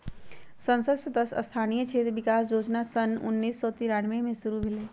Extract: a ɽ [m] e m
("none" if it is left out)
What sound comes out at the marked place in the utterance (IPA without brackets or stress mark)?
m